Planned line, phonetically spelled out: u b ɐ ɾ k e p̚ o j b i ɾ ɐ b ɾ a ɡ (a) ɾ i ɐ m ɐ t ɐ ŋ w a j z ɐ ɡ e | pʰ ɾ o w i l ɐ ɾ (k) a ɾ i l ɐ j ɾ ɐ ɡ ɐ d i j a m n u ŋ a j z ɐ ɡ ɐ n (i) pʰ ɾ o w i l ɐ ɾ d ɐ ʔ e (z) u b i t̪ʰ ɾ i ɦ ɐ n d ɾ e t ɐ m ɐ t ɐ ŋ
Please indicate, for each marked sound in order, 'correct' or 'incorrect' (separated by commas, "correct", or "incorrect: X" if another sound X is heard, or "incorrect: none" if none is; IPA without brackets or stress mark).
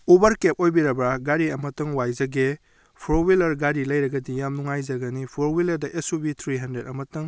correct, incorrect: ɡ, correct, incorrect: s